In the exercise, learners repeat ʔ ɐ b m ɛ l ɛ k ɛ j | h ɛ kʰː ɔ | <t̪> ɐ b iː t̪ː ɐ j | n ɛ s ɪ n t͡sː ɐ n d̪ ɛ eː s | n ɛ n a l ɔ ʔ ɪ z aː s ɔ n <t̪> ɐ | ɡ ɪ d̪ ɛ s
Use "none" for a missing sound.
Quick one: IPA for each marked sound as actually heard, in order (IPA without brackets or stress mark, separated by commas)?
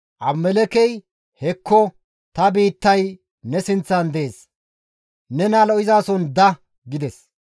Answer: t̪, d̪